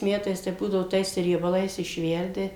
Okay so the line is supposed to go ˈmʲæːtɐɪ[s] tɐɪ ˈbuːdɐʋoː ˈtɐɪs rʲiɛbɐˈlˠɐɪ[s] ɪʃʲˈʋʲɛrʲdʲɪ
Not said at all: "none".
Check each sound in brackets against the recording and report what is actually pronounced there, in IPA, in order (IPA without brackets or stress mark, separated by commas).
s, s